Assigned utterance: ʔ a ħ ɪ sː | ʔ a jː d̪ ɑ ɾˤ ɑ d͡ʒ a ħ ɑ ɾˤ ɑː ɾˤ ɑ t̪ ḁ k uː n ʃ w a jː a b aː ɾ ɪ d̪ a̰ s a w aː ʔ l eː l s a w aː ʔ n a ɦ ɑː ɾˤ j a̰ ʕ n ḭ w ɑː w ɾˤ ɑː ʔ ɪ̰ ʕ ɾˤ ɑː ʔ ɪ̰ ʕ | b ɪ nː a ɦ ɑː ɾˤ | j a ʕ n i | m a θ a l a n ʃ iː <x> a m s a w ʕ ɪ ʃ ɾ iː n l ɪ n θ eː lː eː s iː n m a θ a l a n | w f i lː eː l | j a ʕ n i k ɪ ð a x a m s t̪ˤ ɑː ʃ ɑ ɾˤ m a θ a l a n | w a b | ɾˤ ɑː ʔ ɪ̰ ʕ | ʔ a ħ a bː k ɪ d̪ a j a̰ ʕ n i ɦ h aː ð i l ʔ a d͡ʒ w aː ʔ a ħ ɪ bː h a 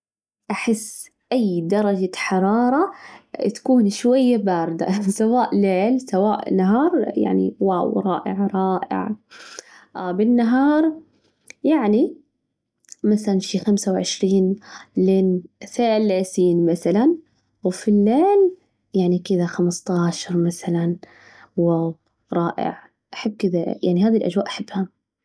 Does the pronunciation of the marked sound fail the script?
no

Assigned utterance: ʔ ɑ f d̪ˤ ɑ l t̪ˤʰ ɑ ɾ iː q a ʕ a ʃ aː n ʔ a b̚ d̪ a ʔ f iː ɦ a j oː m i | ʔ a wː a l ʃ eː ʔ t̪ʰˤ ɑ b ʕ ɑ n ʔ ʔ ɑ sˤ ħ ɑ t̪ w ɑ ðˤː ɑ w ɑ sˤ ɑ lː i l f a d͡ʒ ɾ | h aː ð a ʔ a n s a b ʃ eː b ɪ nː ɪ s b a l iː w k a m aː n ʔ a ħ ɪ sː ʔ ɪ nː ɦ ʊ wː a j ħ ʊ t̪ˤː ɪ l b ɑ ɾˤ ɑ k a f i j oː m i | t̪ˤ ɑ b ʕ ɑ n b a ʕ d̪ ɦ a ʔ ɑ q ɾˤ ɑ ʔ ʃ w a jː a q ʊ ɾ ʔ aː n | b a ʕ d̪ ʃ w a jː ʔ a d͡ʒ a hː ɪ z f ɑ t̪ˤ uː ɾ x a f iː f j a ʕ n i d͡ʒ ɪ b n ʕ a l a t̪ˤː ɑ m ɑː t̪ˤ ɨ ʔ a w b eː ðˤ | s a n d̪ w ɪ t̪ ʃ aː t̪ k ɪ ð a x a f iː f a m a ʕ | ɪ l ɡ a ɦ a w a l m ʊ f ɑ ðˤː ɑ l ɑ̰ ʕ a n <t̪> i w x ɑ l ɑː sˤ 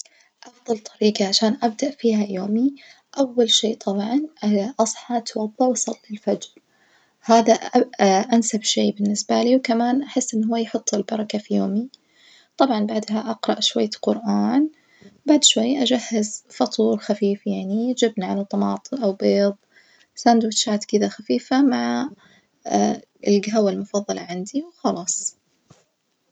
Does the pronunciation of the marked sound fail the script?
yes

